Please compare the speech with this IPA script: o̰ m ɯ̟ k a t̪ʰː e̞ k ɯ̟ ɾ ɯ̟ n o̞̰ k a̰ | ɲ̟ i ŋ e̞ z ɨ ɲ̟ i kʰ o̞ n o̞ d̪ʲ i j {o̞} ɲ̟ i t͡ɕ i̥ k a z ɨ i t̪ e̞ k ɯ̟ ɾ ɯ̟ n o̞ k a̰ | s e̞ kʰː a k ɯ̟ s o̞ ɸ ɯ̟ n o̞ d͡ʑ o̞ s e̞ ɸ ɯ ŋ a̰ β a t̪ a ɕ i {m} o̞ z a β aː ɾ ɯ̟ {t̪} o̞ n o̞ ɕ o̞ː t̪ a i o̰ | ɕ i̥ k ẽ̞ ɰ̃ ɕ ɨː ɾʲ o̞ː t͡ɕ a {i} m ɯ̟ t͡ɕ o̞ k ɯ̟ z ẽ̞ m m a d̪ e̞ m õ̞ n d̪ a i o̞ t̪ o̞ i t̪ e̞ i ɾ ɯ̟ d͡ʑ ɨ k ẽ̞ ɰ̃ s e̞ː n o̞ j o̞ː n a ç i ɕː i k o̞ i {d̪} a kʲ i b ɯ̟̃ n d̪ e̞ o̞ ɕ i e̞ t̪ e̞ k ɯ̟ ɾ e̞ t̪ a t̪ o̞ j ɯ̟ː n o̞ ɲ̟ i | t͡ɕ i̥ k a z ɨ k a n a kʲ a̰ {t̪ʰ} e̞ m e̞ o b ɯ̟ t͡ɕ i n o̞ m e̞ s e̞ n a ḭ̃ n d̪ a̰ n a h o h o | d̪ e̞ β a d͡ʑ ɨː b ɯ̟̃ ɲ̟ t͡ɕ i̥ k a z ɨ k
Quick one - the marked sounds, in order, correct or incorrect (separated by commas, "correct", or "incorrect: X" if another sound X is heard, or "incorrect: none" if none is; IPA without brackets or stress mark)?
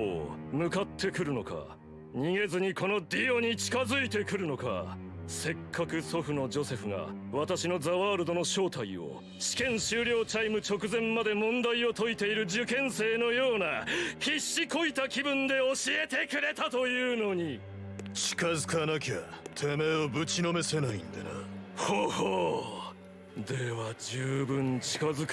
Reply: correct, incorrect: n, incorrect: d̪, correct, incorrect: t̪, correct